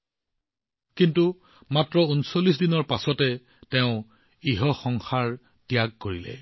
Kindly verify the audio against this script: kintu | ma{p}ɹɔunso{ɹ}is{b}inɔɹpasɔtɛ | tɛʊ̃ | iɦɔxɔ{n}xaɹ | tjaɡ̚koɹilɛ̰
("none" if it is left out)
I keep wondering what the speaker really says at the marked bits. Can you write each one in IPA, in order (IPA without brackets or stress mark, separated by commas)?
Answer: t, l, d, ŋ